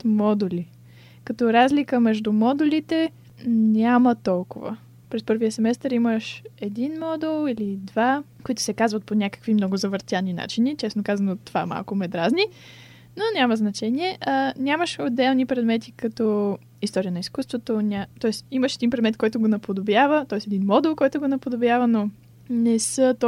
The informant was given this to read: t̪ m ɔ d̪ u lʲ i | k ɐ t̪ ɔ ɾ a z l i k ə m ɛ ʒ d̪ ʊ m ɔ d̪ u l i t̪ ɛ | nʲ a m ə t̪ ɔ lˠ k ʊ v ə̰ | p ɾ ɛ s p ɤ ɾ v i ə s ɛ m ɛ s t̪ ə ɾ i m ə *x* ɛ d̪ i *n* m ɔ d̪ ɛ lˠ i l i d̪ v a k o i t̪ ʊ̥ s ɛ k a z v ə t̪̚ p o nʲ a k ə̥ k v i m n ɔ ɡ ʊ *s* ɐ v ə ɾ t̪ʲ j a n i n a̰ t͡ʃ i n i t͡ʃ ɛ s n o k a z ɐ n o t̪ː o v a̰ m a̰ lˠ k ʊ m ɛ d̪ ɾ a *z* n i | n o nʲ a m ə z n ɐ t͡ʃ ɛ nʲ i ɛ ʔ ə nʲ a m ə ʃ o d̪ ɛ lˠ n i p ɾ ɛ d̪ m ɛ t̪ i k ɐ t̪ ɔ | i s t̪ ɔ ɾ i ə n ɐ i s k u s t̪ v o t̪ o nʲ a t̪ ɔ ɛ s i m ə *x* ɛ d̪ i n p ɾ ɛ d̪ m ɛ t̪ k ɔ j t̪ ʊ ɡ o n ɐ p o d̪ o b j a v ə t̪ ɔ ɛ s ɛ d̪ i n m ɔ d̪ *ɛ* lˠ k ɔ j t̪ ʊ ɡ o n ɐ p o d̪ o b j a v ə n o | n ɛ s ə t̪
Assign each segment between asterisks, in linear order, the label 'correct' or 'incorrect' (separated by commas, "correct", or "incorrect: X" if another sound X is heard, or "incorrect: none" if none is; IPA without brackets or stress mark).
incorrect: ʃ, correct, incorrect: z, correct, incorrect: ʃ, correct